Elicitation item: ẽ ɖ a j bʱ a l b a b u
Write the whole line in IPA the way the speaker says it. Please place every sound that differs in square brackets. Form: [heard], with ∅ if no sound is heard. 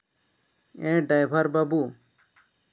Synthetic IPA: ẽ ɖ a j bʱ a [ɾ] b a b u